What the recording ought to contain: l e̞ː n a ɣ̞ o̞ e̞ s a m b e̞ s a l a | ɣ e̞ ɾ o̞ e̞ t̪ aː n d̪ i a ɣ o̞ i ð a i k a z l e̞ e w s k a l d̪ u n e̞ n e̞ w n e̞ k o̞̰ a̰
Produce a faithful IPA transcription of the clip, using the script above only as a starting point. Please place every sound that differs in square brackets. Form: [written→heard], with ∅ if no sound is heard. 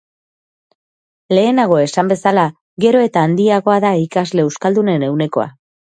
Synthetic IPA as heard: l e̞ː n a ɣ̞ o̞ e̞ s a m b e̞ s a l a | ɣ e̞ ɾ o̞ e̞ t̪ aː n d̪ i a ɣ o̞ [i→a] ð a i k a z l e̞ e w s k a l d̪ u n e̞ n e̞ w n e̞ k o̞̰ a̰